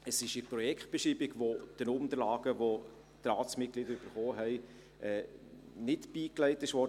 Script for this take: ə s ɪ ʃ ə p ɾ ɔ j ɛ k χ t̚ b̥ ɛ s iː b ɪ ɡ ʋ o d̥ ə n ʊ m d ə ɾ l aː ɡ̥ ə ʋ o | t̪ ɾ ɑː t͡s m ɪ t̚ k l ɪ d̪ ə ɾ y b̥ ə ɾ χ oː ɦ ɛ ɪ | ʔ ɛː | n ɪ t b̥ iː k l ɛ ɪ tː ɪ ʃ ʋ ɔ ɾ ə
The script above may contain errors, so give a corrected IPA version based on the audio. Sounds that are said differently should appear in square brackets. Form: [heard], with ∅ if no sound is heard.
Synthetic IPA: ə s ɪ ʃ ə p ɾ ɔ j ɛ k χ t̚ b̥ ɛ [ʃ] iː b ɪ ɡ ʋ o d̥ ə n ʊ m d ə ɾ l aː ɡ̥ ə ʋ o | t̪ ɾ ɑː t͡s m ɪ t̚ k l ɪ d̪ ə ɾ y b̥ ə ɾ χ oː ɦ ɛ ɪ | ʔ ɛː | n ɪ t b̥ iː k l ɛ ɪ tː ɪ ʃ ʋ ɔ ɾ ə